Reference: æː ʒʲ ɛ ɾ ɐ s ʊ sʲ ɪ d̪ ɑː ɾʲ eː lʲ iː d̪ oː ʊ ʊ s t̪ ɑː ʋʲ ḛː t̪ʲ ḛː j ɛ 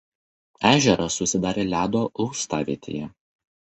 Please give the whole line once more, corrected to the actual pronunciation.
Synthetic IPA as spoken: æː ʒʲ ɛ ɾ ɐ s ʊ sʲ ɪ d̪ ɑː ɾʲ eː lʲ æː d̪ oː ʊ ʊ s t̪ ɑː ʋʲ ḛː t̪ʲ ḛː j ɛ

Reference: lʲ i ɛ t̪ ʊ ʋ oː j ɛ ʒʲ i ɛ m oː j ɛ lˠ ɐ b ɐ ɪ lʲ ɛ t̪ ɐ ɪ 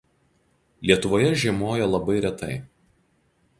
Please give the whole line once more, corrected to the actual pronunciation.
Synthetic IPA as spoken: lʲ i ɛ t̪ ʊ ʋ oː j ɛ ʒʲ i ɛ m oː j ɛ lˠ ɐ b ɐ ɪ ɾʲ ɛ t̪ ɐ ɪ

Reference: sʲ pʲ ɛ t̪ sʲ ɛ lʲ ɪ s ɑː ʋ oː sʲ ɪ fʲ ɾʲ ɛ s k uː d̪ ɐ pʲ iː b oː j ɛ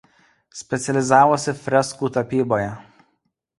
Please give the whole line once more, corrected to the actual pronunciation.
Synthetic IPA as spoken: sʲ pʲ ɛ t̪ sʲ ɛ lʲ ɪ z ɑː ʋ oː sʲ ɪ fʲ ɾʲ ɛ s k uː t̪ ɐ pʲ iː b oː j ɛ

